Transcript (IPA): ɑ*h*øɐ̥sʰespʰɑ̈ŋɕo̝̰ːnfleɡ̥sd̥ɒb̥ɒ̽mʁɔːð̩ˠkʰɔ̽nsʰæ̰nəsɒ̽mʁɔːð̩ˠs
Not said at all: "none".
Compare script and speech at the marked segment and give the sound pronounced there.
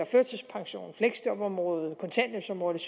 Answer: f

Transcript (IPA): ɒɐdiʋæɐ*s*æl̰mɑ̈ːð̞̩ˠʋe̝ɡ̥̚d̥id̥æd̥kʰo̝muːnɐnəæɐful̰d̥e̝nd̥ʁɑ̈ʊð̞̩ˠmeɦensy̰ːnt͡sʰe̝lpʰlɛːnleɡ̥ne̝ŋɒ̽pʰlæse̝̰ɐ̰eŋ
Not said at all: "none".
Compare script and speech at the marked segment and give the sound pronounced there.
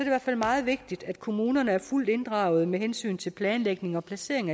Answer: f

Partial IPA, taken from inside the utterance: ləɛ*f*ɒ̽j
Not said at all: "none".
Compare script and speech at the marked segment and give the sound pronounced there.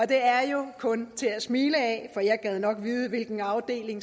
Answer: f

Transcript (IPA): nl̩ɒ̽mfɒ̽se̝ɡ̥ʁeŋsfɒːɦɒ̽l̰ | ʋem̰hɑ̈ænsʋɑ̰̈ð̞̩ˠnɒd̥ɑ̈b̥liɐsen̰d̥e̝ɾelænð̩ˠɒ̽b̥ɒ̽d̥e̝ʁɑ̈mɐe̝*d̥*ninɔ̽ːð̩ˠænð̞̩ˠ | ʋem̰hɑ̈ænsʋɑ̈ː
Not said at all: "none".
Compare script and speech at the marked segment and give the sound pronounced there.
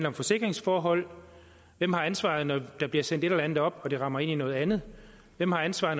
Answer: none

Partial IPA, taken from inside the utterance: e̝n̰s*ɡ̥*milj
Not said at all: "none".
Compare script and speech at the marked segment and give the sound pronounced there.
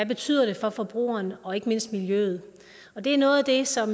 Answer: d̥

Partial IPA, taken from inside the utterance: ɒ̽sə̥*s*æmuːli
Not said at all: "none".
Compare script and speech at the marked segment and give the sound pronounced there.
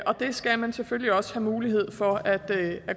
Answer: h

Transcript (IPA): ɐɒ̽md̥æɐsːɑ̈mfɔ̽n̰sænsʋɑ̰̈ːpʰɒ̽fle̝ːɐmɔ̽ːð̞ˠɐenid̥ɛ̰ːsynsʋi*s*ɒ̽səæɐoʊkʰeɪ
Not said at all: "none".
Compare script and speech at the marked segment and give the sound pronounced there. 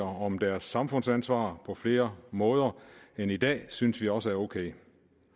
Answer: none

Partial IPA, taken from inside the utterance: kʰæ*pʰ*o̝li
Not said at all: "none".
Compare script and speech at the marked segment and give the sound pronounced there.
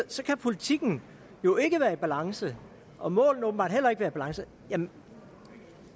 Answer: pʰ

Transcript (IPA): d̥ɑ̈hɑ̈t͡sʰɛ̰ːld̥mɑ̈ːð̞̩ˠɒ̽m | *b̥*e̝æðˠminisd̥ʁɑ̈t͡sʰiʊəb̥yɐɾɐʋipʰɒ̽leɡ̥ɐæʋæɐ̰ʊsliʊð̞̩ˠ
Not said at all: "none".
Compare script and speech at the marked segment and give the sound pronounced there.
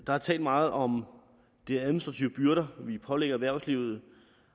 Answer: d̥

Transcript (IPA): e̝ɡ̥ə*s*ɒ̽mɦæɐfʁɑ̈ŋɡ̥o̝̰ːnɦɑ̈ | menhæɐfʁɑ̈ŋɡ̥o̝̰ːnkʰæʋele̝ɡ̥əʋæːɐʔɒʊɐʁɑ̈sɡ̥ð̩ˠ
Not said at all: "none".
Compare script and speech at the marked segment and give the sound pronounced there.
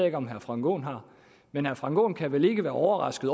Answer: none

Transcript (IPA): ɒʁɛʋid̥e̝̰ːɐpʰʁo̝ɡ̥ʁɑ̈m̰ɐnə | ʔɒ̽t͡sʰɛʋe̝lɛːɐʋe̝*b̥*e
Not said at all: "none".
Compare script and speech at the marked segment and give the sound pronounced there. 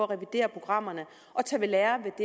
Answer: d̥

